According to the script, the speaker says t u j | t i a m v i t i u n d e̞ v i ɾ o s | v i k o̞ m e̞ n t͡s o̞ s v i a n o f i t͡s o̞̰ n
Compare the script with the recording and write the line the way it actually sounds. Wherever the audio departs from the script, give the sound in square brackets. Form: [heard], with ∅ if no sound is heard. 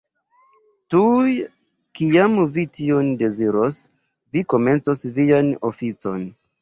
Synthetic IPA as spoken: t u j | [k] i a m v i t i [o] n d e̞ [z] i ɾ o s | v i k o̞ m e̞ n t͡s o̞ s v i a n o f i t͡s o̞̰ n